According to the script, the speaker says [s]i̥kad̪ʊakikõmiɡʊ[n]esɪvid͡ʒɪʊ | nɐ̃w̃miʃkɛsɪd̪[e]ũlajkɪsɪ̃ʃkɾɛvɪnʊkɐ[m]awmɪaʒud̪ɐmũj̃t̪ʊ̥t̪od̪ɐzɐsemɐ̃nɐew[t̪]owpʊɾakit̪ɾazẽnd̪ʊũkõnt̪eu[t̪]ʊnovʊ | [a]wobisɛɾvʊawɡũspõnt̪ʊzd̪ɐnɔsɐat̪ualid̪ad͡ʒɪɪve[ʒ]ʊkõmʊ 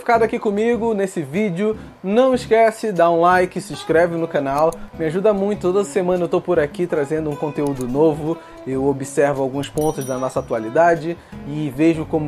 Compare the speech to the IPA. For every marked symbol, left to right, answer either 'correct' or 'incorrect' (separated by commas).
incorrect, correct, incorrect, incorrect, correct, incorrect, incorrect, correct